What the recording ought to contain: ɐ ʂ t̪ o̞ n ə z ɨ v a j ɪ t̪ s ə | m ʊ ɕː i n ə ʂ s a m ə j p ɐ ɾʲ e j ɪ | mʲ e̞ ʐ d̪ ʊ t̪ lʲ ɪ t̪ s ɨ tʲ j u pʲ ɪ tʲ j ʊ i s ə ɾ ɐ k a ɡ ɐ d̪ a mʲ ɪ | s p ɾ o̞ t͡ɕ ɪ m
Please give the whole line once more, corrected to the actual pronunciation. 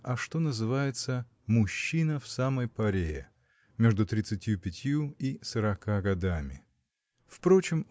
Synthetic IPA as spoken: ɐ ʂ t̪ o̞ n ə z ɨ v a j ɪ t̪ s ə | m ʊ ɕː i n ə f s a m ə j p ɐ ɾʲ e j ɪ | mʲ e̞ ʐ d̪ ʊ t̪ ɾʲ ɪ t̪ s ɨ tʲ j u pʲ ɪ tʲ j u i s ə ɾ ɐ k a ɡ ɐ d̪ a mʲ ɪ | f p ɾ o̞ t͡ɕ ɪ m